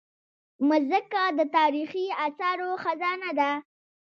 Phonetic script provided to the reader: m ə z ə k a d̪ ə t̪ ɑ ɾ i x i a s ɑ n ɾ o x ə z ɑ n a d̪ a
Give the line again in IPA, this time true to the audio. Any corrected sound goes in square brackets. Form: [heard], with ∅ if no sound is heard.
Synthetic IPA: m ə z ə k a d̪ ə t̪ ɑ ɾ i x i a s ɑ [∅] ɾ o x [a] z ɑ n a d̪ a